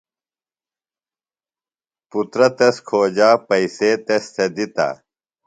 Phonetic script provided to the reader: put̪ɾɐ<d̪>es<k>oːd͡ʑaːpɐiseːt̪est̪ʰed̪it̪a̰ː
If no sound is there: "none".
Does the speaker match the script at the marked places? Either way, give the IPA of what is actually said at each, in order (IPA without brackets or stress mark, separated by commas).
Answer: t̪, kʰ